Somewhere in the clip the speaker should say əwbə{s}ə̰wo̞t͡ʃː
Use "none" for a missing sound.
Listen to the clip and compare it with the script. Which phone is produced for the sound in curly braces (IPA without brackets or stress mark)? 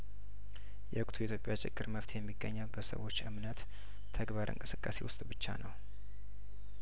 s